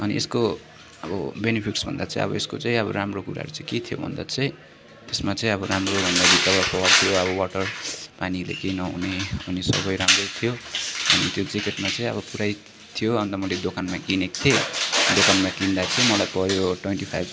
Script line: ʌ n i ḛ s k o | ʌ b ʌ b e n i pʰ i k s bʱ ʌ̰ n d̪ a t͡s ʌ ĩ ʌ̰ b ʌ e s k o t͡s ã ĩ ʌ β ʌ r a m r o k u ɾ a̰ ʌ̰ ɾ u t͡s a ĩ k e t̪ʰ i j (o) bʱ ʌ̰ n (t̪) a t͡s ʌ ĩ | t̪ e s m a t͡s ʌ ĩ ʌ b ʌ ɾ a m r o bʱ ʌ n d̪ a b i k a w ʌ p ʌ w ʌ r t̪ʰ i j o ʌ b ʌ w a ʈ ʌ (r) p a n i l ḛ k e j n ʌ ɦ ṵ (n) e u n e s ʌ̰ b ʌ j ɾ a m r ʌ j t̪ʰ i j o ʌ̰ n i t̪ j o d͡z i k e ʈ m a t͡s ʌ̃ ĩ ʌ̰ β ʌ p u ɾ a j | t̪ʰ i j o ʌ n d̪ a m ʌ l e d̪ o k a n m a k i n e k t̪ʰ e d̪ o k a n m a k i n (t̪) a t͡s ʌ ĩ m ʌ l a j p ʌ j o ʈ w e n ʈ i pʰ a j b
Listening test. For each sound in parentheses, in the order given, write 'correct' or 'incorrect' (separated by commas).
correct, incorrect, correct, correct, incorrect